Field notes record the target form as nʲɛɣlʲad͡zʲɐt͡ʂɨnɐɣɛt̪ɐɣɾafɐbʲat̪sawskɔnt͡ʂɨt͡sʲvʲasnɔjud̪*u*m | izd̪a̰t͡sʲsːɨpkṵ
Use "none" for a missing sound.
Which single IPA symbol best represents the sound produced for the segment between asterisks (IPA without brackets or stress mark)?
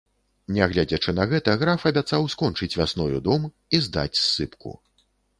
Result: ɔ